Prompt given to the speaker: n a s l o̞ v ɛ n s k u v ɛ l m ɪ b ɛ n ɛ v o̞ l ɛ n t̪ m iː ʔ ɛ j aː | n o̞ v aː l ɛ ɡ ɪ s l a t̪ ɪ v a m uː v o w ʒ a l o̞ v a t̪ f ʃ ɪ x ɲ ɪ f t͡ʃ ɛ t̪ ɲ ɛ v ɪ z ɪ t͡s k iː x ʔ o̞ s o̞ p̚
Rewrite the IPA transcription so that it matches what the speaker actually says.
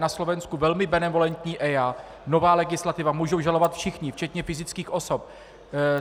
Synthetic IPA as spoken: n a s l o̞ v ɛ n s k u v ɛ l m ɪ b ɛ n ɛ v o̞ l ɛ n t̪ ɲ iː ʔ ɛ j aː | n o̞ v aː l ɛ ɡ ɪ s l a t̪ ɪ v a m uː ʒ o w ʒ a l o̞ v a t̪ f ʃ ɪ x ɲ ɪ f t͡ʃ ɛ t̪ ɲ ɛ f ɪ z ɪ t͡s k iː x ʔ o̞ s o̞ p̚